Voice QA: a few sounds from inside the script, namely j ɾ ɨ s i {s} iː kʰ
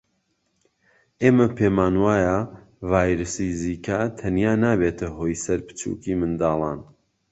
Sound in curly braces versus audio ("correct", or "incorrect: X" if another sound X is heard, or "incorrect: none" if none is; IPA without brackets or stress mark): incorrect: z